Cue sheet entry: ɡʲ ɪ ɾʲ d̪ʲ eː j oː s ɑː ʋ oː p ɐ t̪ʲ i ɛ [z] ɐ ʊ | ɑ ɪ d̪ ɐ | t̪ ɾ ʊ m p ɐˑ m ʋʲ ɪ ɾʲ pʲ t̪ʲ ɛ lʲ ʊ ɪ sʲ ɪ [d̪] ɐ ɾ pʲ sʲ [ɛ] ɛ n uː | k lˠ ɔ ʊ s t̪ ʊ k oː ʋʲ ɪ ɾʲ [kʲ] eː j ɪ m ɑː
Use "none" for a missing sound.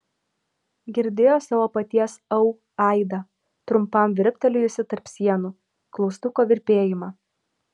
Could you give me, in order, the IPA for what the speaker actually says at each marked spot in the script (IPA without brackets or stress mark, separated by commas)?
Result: s, t̪, i, pʲ